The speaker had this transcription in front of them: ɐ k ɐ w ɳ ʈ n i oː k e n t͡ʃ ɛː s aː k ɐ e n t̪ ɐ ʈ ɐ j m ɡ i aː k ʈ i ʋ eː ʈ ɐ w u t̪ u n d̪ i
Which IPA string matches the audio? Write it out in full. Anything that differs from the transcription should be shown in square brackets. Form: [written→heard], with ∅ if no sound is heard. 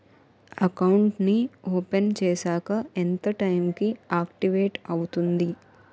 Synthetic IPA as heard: ɐ k ɐ w ɳ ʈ n i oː [k→p] e n t͡ʃ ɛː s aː k ɐ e n t̪ ɐ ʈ ɐ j m [ɡ→k] i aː k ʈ i ʋ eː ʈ ɐ w u t̪ u n d̪ i